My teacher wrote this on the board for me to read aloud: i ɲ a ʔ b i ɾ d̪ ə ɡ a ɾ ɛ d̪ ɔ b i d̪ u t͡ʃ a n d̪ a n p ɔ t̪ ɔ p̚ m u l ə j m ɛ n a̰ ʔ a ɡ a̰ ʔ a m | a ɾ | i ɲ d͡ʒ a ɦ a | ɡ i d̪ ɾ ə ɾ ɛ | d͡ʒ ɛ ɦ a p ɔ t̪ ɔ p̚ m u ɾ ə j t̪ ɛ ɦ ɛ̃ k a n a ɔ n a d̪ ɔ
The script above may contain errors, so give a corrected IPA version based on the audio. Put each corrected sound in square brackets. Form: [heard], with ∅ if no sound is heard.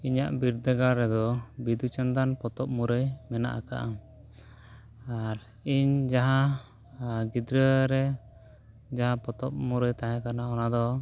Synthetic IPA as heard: i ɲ a ʔ b i ɾ d̪ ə ɡ a ɾ ɛ d̪ ɔ b i d̪ u t͡ʃ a n d̪ a n p ɔ t̪ ɔ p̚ m u [ɾ] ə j m ɛ n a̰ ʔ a [k] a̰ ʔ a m | a ɾ | i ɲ d͡ʒ a ɦ a | ɡ i d̪ ɾ ə ɾ ɛ | d͡ʒ [a] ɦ a p ɔ t̪ ɔ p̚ m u ɾ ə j t̪ [a] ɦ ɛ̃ k a n a ɔ n a d̪ ɔ

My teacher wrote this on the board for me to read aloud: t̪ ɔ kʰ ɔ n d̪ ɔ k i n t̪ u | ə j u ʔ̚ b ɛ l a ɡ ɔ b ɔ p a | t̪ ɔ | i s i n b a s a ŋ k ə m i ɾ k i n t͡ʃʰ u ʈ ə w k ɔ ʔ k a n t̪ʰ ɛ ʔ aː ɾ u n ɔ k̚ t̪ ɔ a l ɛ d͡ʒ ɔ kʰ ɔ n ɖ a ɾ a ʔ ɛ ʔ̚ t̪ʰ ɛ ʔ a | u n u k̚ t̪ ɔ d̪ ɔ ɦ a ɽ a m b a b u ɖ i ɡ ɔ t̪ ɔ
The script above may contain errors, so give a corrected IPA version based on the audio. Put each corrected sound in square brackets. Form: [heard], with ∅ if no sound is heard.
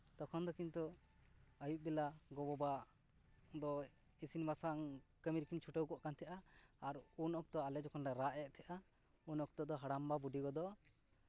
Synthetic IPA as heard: t̪ ɔ kʰ ɔ n d̪ ɔ k i n t̪ u | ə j u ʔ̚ b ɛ l a ɡ ɔ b ɔ [b] a | [d̪] ɔ | i s i n b a s a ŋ k ə m i ɾ k i n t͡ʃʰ u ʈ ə w k ɔ ʔ k a n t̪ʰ ɛ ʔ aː ɾ u n ɔ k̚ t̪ ɔ a l ɛ d͡ʒ ɔ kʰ ɔ n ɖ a ɾ a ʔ ɛ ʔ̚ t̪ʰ ɛ ʔ a | u n [ɔ] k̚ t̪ ɔ d̪ ɔ ɦ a ɽ a m b a b u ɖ i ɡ ɔ [d̪] ɔ

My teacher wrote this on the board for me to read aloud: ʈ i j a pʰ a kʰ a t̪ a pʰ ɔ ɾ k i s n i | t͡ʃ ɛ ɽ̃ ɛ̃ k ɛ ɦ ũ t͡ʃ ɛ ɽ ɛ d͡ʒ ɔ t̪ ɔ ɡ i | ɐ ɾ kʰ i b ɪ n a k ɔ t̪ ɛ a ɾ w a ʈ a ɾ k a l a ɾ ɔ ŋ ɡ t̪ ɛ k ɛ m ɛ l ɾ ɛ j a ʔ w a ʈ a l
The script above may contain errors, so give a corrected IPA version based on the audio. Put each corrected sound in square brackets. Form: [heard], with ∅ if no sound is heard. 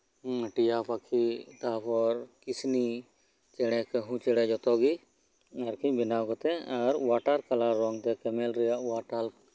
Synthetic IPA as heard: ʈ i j a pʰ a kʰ [i] t̪ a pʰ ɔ ɾ k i s n i | t͡ʃ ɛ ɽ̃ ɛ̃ k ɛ ɦ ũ t͡ʃ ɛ ɽ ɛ d͡ʒ ɔ t̪ ɔ ɡ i | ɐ ɾ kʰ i b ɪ n a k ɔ t̪ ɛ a ɾ w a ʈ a ɾ k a l a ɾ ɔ ŋ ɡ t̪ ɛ k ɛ m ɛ l ɾ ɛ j a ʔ w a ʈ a l

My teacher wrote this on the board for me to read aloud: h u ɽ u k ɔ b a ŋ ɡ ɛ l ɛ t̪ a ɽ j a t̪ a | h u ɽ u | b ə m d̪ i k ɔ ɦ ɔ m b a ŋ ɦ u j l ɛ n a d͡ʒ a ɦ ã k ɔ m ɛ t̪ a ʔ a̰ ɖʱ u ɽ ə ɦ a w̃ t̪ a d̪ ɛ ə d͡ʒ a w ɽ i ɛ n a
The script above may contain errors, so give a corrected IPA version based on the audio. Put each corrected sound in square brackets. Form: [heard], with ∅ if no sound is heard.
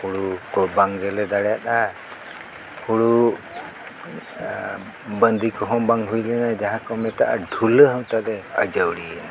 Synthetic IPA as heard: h u ɽ u k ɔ b a ŋ ɡ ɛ l ɛ [d̪] a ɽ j a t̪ a | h u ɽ u | b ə [n] d̪ i k ɔ ɦ ɔ m b a ŋ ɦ u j l ɛ n a d͡ʒ a ɦ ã k ɔ m ɛ t̪ a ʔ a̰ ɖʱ u [l] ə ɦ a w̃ t̪ a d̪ ɛ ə d͡ʒ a w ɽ i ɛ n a

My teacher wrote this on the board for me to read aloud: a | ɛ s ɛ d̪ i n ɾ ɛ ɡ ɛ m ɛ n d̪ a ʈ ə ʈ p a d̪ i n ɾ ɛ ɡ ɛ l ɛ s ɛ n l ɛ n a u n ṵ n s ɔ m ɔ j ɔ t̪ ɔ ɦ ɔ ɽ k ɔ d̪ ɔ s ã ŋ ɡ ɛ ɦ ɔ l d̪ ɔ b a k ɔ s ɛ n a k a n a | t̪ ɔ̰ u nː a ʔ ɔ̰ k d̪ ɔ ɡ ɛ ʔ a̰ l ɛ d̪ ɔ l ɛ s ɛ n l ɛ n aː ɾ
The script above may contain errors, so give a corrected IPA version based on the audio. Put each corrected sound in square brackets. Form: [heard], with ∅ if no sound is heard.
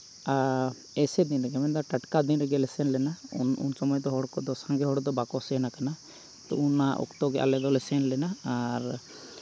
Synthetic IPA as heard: a | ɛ s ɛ d̪ i n ɾ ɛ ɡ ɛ m ɛ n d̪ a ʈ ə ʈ [k] a d̪ i n ɾ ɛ ɡ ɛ l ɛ s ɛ n l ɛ n a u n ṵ n s ɔ m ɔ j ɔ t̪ ɔ ɦ ɔ ɽ k ɔ d̪ ɔ s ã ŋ ɡ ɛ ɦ ɔ [ɽ] d̪ ɔ b a k ɔ s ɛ n a k a n a | t̪ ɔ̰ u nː a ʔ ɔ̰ k [t̪] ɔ ɡ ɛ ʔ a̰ l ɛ d̪ ɔ l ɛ s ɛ n l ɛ n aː ɾ

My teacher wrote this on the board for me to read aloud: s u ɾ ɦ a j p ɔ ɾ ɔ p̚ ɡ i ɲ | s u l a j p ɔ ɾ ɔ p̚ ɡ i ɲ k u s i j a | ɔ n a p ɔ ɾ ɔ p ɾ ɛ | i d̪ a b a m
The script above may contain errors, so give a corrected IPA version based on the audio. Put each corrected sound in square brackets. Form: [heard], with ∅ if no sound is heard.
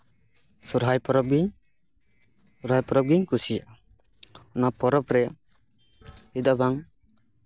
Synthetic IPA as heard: s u ɾ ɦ a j p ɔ ɾ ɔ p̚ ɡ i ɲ | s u [ɾ] a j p ɔ ɾ ɔ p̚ ɡ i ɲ k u s i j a | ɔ n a p ɔ ɾ ɔ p ɾ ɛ | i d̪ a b a [ŋ]

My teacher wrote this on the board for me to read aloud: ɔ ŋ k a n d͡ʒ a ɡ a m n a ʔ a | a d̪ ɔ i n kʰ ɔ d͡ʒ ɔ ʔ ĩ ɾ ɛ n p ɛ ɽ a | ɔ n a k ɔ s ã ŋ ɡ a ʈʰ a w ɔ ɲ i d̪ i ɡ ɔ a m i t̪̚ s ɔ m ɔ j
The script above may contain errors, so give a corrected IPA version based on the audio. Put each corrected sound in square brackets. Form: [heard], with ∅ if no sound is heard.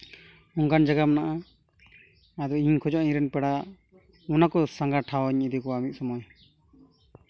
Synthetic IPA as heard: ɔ ŋ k a n d͡ʒ a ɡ a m n a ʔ a | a d̪ ɔ i [ɲ] kʰ ɔ d͡ʒ ɔ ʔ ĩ ɾ ɛ n p ɛ ɽ a | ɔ n a k ɔ s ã ŋ ɡ a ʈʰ a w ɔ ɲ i d̪ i [k] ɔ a m i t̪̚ s ɔ m ɔ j

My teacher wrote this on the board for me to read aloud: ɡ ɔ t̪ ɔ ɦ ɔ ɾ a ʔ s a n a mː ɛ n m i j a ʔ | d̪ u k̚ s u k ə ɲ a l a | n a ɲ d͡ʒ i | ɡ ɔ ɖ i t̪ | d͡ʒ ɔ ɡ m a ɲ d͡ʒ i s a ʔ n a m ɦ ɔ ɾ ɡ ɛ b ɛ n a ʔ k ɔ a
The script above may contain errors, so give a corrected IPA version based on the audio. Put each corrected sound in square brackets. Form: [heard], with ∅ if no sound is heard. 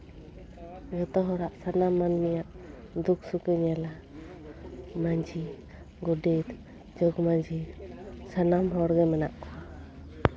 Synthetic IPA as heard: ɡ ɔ t̪ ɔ ɦ ɔ ɾ a ʔ s a n a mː [a] n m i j a ʔ | d̪ u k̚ s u k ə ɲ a l a | [m] a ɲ d͡ʒ i | ɡ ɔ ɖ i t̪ | d͡ʒ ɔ ɡ m a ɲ d͡ʒ i s a [∅] n a m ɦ ɔ ɾ ɡ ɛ [m] ɛ n a ʔ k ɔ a

